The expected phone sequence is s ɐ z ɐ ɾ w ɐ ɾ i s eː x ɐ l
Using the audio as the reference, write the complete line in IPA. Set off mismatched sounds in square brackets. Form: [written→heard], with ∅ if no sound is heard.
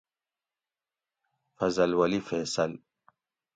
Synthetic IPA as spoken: [s→f] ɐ z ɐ [ɾ→l] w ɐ [ɾ→l] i [s→f] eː [x→s] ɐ l